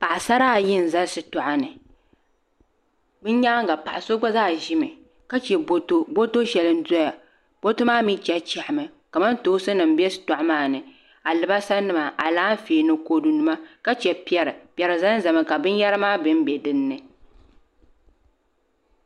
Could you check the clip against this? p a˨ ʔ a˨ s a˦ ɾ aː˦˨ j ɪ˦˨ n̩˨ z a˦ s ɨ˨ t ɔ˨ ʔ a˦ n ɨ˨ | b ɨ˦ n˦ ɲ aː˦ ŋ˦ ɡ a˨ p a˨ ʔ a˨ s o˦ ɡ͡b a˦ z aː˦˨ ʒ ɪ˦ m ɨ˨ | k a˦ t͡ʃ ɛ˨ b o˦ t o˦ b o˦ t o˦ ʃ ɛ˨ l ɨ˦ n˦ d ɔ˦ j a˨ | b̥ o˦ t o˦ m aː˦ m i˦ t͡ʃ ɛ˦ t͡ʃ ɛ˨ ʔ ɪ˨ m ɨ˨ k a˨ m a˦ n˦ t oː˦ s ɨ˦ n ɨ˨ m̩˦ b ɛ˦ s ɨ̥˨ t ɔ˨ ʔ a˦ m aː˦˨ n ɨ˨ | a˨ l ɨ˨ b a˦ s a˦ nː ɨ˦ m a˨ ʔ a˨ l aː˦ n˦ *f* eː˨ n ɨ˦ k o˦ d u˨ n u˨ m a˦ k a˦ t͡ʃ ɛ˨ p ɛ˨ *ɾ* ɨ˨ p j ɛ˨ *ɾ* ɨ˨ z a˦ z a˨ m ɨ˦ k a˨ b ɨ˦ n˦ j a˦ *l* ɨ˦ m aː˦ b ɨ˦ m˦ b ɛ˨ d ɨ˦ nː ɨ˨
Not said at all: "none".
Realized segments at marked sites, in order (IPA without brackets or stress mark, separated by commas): f, ɾ, ɾ, ɾ